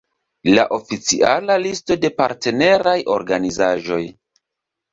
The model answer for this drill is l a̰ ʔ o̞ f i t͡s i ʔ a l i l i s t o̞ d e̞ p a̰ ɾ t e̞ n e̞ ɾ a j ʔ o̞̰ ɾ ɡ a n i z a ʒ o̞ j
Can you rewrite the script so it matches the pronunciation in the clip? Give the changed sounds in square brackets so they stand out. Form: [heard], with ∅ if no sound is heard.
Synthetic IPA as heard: l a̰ ʔ o̞ f i t͡s i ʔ a l [a] l i s t o̞ d e̞ p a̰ ɾ t e̞ n e̞ ɾ a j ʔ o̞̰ ɾ ɡ a n i z a ʒ o̞ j